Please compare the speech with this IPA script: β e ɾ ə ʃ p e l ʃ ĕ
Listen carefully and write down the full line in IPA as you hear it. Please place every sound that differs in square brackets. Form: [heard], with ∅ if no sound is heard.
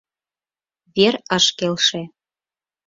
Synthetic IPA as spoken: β e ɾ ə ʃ [k] e l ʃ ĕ

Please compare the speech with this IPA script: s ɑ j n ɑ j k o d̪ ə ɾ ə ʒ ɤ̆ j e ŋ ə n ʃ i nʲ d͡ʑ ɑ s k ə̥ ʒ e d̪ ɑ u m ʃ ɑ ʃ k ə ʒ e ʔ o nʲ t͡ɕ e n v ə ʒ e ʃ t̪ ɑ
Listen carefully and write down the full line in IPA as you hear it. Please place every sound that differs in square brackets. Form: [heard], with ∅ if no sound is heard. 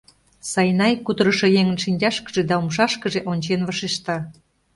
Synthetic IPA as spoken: s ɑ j n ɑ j k [u] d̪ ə ɾ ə [ʃ] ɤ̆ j e ŋ ə n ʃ i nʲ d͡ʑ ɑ [ʃ] k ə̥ ʒ e d̪ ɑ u m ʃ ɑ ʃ k ə ʒ e ʔ o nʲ t͡ɕ e n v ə [ʃ] e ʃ t̪ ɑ

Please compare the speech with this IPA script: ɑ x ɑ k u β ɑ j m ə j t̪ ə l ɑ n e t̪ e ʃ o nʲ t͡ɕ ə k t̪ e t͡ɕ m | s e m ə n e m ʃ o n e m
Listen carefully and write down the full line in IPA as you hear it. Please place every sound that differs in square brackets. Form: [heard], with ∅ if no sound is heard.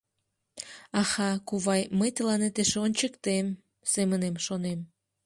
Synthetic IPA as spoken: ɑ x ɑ k u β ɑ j m ə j t̪ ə l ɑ n e t̪ e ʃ o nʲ t͡ɕ ə k t̪ e [∅] m | s e m ə n e m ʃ o n e m

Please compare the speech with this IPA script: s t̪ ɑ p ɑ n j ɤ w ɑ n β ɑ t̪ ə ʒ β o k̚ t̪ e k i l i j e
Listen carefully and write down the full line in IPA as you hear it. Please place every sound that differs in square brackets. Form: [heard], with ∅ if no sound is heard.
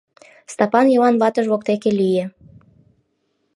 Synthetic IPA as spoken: s t̪ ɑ p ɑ n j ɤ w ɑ n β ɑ t̪ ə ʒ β o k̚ t̪ e k [e] l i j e

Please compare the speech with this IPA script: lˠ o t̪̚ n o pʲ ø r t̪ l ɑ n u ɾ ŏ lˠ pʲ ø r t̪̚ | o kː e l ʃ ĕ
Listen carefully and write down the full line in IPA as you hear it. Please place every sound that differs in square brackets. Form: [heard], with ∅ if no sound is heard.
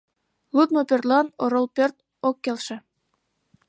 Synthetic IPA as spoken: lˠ [u] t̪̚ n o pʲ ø r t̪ l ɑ n [o] ɾ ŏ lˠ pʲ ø r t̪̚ | o kː e l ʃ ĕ

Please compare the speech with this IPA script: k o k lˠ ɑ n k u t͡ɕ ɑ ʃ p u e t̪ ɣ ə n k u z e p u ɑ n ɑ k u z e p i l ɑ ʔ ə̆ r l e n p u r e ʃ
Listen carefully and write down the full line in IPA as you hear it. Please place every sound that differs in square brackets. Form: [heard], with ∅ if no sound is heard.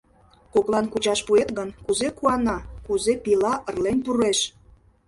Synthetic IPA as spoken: k o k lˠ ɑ n k u t͡ɕ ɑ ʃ p u e t̪ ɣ ə n k u z e [k] u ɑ n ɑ k u z e p i l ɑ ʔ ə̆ r l e n p u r e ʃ

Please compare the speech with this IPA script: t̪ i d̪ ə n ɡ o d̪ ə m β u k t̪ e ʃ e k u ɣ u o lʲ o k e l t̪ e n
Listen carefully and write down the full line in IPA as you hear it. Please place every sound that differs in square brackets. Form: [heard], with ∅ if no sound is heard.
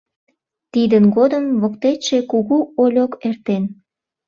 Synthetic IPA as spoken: t̪ i d̪ ə n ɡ o d̪ ə m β [o] k t̪ e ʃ e k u ɣ u o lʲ o k e [r] t̪ e n

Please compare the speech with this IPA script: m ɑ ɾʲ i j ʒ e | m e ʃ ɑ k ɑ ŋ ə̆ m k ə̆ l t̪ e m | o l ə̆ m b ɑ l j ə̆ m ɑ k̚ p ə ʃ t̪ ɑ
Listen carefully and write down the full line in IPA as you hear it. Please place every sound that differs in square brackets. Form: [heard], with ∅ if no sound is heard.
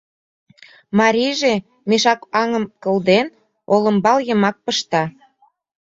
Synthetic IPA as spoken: m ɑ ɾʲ i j ʒ e | m e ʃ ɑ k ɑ ŋ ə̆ m k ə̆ l [d̪] e [n] | o l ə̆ m b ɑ l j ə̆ m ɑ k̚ p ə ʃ t̪ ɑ

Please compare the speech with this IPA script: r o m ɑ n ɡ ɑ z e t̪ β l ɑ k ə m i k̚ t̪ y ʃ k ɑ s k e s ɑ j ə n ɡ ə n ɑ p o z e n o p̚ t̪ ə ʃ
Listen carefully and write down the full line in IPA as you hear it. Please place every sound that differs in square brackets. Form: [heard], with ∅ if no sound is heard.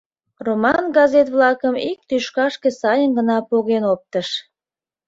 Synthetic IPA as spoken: r o m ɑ n ɡ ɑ z e t̪ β l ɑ k ə m i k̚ t̪ y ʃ k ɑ [ʃ] k e s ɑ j ə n ɡ ə n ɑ p o [ɣ] e n o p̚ t̪ ə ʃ

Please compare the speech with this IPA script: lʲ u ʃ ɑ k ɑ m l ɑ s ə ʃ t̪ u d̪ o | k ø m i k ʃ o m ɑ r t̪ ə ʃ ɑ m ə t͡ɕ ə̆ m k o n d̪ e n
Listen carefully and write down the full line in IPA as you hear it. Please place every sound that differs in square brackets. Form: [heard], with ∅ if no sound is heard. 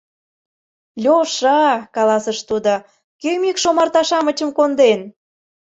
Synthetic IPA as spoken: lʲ [o] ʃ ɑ k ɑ [∅] l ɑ s ə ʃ t̪ u d̪ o | k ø m i k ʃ o m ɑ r t̪ [ɑ] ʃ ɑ m ə t͡ɕ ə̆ m k o n d̪ e n

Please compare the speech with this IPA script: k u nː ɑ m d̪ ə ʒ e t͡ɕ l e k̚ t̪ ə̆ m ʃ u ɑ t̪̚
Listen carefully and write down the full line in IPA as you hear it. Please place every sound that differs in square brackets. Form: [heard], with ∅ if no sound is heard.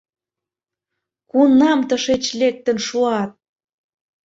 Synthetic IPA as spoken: k u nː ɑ m [t̪] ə [ʃ] e t͡ɕ l e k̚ t̪ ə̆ [n] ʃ u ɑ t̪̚

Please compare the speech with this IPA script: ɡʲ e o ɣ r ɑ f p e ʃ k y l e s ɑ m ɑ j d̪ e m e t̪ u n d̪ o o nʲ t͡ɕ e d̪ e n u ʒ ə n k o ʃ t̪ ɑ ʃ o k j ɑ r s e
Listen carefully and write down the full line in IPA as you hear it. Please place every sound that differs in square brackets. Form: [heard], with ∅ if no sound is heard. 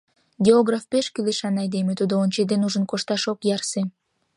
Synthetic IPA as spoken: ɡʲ e o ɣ r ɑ f p e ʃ k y l e [ʃ] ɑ [n] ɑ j d̪ e m e t̪ u [∅] d̪ o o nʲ t͡ɕ e d̪ e n u ʒ ə n k o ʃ t̪ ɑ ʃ o k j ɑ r s e

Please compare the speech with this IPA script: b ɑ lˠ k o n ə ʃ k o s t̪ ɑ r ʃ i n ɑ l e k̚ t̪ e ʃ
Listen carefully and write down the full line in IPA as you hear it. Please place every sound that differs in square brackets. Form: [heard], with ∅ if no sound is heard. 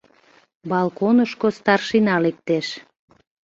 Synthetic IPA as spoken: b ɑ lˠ k o n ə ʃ k o s t̪ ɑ r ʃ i n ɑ l e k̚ t̪ e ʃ

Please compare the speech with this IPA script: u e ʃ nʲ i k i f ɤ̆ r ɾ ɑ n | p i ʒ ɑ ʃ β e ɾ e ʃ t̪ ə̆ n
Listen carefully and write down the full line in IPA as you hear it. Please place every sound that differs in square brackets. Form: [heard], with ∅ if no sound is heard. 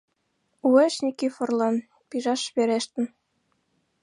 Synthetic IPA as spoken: u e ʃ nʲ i k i f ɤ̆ r [l] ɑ n | p i ʒ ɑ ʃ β e ɾ e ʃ t̪ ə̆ n

